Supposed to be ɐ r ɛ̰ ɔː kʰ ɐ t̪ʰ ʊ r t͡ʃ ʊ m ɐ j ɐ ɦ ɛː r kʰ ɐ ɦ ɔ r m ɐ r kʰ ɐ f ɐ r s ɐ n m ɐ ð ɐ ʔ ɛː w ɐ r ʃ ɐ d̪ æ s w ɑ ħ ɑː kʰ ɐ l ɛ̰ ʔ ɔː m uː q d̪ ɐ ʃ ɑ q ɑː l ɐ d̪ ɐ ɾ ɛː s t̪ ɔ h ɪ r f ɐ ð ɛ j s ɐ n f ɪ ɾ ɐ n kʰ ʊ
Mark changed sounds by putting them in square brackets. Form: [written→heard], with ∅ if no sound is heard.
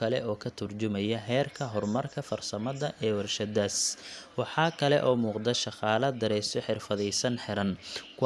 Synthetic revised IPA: ɐ [r→l] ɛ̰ ɔː kʰ ɐ t̪ʰ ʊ r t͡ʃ ʊ m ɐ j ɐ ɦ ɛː r kʰ ɐ ɦ ɔ r m ɐ r kʰ ɐ f ɐ r s ɐ [n→∅] m ɐ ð ɐ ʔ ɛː w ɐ r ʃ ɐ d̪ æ s w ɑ ħ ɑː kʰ ɐ l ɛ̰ ʔ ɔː m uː q d̪ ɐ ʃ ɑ q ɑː l ɐ d̪ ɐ ɾ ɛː s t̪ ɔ [h→ħ] ɪ r f ɐ ð ɛ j s ɐ n [f→ħ] ɪ ɾ ɐ n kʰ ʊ

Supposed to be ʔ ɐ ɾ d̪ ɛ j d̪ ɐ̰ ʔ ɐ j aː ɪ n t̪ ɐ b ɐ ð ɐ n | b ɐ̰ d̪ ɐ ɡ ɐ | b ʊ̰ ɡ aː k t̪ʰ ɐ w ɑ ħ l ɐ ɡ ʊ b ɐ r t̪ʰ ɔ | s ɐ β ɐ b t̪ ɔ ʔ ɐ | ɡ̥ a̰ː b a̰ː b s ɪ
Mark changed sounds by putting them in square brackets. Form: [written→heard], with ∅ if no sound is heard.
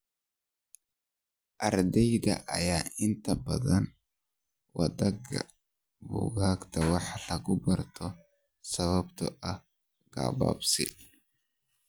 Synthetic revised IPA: ʔ ɐ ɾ d̪ ɛ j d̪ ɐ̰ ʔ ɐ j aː ɪ n t̪ ɐ b ɐ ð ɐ n | [b→w] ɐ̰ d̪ ɐ ɡ ɐ | b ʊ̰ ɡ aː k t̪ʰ ɐ w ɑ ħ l ɐ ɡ ʊ b ɐ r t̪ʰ ɔ | s ɐ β ɐ b t̪ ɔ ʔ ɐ | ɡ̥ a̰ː b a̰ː b s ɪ

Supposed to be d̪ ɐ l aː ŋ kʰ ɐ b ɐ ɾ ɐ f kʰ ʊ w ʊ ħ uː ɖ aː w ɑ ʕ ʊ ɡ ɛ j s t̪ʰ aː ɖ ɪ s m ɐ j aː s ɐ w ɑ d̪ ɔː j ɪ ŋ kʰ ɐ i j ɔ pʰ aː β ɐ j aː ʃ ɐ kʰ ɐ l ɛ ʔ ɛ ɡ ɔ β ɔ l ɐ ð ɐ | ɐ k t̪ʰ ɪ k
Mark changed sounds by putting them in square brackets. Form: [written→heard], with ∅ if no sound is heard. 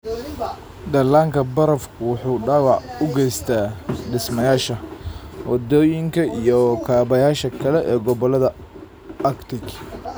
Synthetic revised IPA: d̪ ɐ l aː ŋ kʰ ɐ b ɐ ɾ ɐ f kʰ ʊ w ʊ ħ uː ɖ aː w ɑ ʕ ʊ ɡ ɛ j s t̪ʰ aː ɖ ɪ s m ɐ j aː [s→ʃ] ɐ w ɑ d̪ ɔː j ɪ ŋ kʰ ɐ i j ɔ [pʰ→kʰ] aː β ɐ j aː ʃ ɐ kʰ ɐ l ɛ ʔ [ɛ→ɛː] ɡ ɔ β ɔ l ɐ ð ɐ | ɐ k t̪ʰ ɪ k

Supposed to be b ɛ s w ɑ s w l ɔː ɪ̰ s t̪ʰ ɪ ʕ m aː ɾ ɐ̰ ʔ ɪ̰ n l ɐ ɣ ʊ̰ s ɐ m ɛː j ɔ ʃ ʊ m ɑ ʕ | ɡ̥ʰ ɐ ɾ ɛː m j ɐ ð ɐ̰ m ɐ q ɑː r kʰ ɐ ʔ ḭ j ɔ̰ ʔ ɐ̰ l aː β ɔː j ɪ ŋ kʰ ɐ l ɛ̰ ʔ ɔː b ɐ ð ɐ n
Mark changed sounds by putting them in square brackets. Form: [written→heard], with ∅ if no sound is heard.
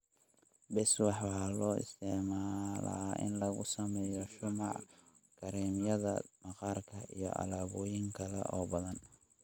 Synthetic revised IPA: b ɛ s w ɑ [s→ħ] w l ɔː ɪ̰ s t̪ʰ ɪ ʕ m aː [ɾ→l] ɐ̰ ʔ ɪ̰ n l ɐ ɣ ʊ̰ s ɐ m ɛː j ɔ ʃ ʊ m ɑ ʕ | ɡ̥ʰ ɐ ɾ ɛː m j ɐ ð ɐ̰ m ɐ q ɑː r kʰ ɐ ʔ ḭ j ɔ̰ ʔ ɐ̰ l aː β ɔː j ɪ ŋ kʰ ɐ l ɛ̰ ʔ ɔː b ɐ ð ɐ n

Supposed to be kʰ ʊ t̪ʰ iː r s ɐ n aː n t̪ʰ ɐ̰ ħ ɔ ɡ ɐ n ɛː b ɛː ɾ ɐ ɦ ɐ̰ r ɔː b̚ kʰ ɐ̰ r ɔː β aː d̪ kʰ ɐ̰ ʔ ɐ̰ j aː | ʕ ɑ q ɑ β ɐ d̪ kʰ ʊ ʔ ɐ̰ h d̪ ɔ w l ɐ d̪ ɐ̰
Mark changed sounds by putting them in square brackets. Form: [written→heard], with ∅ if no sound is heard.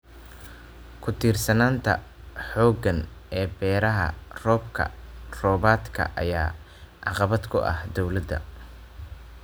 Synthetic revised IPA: kʰ ʊ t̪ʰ iː r s ɐ n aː n t̪ʰ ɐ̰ ħ [ɔ→ɔː] ɡ ɐ n ɛː b ɛː ɾ ɐ ɦ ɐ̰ r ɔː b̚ kʰ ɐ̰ r ɔː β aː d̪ kʰ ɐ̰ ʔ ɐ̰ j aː | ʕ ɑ q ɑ β ɐ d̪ kʰ ʊ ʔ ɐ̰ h d̪ ɔ w l ɐ d̪ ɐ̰

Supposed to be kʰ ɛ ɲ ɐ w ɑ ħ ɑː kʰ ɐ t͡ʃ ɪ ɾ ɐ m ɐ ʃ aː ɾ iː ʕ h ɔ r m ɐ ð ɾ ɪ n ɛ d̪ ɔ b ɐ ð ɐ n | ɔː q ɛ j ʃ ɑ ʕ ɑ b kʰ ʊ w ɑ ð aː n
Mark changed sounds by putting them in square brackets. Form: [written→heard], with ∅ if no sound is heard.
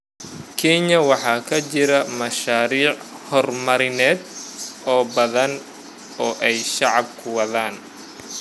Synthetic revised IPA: kʰ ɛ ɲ ɐ w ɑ ħ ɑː kʰ ɐ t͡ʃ ɪ ɾ ɐ m ɐ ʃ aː ɾ iː ʕ h ɔ r m ɐ [ð→∅] ɾ ɪ n [ɛ→ɛː] d̪ [ɔ→ɔː] b ɐ ð ɐ n | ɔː [q→ʔ] ɛ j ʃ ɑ ʕ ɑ b kʰ ʊ w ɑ ð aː n

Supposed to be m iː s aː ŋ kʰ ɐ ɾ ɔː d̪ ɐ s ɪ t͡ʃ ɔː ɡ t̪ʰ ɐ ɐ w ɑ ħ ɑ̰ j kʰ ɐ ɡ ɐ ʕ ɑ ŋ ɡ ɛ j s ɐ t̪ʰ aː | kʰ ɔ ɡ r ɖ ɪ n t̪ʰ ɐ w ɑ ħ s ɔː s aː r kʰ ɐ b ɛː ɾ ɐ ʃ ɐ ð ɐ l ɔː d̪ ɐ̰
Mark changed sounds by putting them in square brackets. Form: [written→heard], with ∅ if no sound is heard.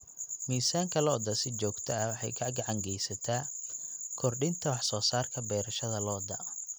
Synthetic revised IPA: m iː s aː ŋ kʰ ɐ [ɾ→l] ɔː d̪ ɐ s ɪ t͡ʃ ɔː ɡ t̪ʰ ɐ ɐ w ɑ ħ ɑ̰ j kʰ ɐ ɡ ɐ ʕ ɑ ŋ ɡ ɛ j s ɐ t̪ʰ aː | kʰ ɔ [ɡ→∅] r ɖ ɪ n t̪ʰ ɐ w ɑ ħ s ɔː s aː r kʰ ɐ b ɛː ɾ ɐ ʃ ɐ ð ɐ l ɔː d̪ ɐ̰

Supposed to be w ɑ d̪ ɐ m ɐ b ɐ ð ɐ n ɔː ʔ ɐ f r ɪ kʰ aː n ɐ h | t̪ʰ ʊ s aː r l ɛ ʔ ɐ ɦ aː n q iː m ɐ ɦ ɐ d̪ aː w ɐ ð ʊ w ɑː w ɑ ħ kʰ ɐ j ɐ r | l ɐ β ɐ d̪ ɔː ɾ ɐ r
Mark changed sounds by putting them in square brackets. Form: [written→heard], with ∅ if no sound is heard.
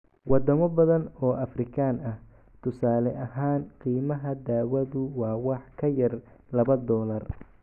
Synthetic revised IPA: w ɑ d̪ ɐ m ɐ b ɐ ð ɐ n ɔː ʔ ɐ f r ɪ kʰ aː n ɐ h | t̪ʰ ʊ s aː [r→∅] l ɛ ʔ ɐ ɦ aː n q iː m ɐ ɦ ɐ d̪ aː w ɐ ð ʊ w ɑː w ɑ ħ kʰ ɐ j ɐ r | l ɐ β ɐ d̪ ɔː [ɾ→l] ɐ r

